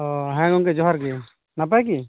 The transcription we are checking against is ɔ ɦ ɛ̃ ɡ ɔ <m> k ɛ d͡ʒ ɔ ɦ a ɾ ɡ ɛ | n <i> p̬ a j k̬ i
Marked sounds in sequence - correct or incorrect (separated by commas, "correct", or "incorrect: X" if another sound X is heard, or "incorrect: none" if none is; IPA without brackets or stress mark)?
incorrect: ŋ, incorrect: a